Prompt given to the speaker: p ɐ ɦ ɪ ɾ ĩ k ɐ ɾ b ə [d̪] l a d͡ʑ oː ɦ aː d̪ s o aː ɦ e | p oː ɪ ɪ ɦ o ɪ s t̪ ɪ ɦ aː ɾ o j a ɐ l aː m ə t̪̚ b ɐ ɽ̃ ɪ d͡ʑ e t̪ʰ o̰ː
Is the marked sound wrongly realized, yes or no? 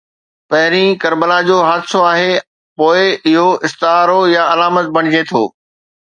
yes